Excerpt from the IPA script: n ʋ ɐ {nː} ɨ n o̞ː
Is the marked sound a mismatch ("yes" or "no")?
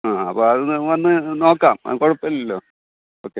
no